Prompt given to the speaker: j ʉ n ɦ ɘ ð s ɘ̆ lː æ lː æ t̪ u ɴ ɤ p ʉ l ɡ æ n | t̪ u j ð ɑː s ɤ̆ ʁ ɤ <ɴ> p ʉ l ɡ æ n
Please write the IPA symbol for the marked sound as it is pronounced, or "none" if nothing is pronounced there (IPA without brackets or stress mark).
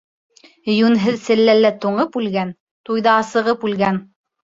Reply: none